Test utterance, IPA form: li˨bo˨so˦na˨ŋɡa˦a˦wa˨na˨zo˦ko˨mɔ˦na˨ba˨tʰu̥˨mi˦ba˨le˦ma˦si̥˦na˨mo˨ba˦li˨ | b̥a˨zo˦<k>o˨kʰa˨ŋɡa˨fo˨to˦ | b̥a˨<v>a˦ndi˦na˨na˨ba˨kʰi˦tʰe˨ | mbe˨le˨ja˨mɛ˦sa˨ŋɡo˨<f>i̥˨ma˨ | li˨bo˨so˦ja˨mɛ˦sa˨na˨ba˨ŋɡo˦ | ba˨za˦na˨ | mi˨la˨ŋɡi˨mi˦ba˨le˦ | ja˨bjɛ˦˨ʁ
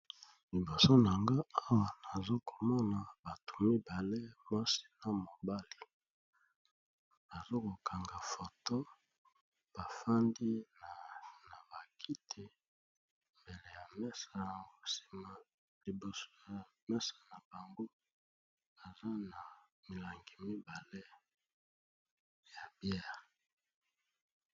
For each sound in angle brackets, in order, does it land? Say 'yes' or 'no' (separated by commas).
yes, no, no